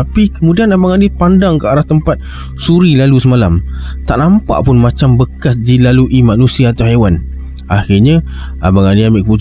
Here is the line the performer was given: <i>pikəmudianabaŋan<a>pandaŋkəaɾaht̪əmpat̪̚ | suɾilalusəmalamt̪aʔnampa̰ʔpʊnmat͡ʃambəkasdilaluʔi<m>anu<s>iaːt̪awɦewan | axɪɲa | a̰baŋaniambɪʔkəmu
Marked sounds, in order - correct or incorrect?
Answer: incorrect: a, incorrect: i, correct, correct

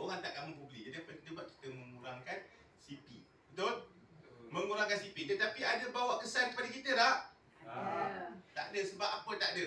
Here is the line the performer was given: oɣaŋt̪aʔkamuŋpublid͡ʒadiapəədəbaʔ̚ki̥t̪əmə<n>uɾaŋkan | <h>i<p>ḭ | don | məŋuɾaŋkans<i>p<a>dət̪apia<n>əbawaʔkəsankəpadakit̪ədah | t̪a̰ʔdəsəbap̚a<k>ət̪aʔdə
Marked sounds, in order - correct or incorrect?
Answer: incorrect: ŋ, incorrect: s, correct, correct, incorrect: i, incorrect: d, incorrect: p

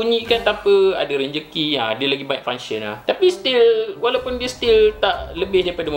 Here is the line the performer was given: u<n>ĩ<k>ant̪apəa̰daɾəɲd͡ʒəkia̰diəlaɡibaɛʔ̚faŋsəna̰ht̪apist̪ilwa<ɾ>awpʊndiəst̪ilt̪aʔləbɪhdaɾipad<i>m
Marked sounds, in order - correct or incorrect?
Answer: incorrect: ɲ, correct, incorrect: l, incorrect: a

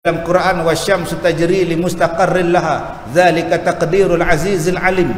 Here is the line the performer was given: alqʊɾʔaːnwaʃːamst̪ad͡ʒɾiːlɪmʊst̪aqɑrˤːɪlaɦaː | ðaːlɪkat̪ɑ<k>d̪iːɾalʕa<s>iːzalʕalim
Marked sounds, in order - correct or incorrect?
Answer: incorrect: q, incorrect: z

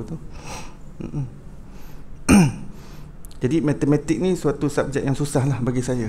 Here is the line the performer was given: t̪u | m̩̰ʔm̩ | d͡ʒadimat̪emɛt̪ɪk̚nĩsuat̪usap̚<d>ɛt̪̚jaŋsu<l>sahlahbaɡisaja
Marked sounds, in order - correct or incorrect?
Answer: incorrect: d͡ʒ, incorrect: none

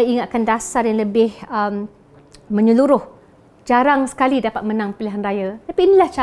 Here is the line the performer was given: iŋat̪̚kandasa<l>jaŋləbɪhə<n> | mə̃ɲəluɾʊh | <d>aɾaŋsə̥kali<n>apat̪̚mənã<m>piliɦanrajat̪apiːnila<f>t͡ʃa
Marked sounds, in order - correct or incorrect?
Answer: incorrect: r, incorrect: m, incorrect: d͡ʒ, incorrect: d, incorrect: ŋ, incorrect: h

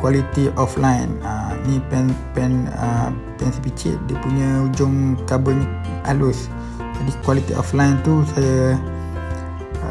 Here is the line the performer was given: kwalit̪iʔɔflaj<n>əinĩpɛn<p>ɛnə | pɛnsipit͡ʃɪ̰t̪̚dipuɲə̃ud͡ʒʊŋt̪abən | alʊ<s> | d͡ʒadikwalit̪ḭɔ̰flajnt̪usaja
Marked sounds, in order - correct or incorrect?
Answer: correct, correct, correct

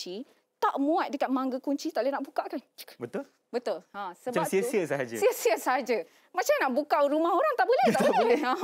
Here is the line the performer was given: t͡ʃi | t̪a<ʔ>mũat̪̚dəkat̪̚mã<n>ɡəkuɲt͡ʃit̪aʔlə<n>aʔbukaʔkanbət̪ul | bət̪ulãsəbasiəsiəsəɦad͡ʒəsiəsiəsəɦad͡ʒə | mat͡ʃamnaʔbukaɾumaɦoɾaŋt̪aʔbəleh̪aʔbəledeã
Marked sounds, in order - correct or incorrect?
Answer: correct, incorrect: ŋ, correct

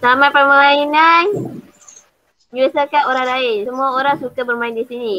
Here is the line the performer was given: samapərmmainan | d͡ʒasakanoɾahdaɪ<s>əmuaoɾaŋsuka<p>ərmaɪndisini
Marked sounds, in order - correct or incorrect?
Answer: correct, incorrect: b

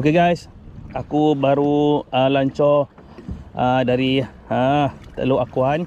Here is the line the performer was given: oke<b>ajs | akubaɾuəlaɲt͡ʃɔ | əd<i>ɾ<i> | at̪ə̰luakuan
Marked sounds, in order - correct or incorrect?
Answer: incorrect: ɡ, incorrect: a, correct

